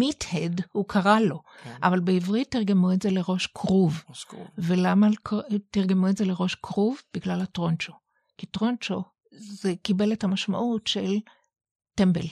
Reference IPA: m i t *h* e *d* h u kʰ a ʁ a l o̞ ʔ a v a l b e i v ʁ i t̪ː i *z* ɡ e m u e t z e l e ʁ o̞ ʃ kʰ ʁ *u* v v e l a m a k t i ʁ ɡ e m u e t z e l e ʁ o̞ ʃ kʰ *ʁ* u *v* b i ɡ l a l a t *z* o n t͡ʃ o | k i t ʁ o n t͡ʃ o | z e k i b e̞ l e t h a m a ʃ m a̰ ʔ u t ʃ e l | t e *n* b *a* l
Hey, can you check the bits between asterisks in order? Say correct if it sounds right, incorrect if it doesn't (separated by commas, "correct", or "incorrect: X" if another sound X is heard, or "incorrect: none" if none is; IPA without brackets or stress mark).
correct, correct, incorrect: ʁ, correct, correct, correct, incorrect: ʁ, incorrect: m, incorrect: e